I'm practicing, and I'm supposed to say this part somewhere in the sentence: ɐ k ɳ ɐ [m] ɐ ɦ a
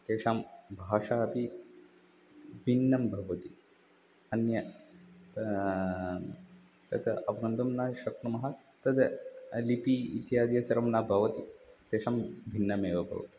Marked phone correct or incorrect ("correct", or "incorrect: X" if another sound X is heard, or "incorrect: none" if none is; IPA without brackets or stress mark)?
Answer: correct